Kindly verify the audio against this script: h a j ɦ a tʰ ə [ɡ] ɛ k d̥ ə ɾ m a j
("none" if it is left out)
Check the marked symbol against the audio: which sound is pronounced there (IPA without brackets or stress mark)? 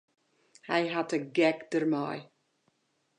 ɡ